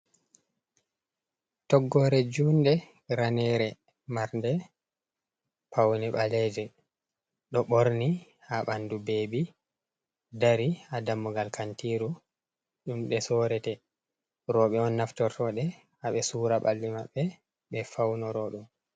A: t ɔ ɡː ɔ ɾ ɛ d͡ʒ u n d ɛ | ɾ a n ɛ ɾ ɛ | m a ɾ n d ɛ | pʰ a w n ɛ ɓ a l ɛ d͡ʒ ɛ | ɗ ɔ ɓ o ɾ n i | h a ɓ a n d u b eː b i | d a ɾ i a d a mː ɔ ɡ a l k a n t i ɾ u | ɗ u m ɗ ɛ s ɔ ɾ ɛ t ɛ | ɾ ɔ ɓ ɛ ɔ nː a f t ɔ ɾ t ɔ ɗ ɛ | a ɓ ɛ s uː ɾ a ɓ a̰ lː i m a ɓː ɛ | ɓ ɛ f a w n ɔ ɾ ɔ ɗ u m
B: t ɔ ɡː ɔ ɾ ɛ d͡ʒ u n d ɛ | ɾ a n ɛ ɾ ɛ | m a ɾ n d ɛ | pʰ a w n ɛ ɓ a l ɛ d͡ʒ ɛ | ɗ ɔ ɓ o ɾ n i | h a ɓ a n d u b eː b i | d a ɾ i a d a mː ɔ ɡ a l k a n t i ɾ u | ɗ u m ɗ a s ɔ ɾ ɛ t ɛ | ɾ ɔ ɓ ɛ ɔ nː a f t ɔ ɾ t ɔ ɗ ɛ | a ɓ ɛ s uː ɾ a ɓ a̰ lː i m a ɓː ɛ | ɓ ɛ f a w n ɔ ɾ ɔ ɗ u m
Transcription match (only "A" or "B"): A